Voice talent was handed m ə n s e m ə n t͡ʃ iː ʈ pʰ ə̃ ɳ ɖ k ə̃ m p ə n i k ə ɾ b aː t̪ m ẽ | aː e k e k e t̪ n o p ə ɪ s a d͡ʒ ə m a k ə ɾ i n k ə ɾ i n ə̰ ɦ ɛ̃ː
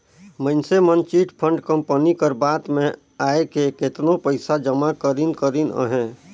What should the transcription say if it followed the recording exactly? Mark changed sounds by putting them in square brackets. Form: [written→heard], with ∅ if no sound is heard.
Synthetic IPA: m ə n s e m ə n t͡ʃ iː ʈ pʰ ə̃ ɳ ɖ k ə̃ m p ə n i k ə ɾ b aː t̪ m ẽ | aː e k e k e t̪ n o p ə ɪ s a d͡ʒ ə m a k ə ɾ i n k ə ɾ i n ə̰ ɦ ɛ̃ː